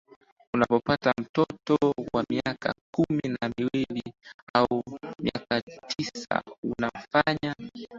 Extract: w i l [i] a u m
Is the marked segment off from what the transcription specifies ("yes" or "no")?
no